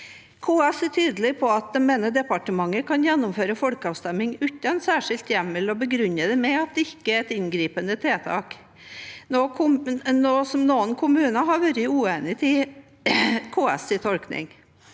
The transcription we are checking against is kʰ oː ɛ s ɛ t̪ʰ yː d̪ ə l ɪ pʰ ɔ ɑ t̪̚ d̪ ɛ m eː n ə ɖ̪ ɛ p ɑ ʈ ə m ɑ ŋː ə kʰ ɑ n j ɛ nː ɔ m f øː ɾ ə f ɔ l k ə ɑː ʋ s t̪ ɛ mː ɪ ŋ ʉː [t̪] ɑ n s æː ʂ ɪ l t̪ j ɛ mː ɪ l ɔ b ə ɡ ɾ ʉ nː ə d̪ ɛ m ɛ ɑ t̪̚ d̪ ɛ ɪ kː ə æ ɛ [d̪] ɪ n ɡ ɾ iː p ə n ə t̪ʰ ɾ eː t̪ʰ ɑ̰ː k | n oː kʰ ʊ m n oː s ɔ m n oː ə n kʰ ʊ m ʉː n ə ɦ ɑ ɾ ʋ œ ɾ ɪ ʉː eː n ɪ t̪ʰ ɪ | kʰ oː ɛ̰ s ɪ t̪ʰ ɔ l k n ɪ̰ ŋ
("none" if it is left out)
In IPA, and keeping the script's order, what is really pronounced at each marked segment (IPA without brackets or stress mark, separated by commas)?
t̪, t̪